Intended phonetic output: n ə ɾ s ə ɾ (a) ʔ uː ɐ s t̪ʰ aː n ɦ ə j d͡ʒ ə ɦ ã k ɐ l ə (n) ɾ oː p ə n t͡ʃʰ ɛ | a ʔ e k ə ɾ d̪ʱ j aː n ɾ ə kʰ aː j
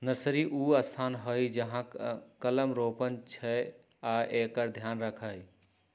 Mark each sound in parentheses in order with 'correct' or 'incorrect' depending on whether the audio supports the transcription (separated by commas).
incorrect, incorrect